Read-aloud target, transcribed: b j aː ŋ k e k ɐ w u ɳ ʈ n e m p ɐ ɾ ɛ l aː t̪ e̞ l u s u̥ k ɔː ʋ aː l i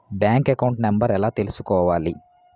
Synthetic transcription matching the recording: b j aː ŋ k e k ɐ w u ɳ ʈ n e m b ɐ ɾ ɛ l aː t̪ e̞ l u s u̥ k ɔː ʋ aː l i